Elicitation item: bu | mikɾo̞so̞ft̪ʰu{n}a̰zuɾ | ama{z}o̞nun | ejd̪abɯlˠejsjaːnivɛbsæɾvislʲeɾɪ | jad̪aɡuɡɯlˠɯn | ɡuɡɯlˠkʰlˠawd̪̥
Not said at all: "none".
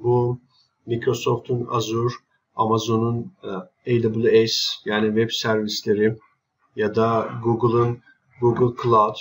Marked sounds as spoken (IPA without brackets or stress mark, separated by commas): n, z